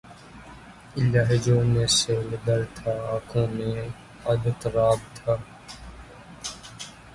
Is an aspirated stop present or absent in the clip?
present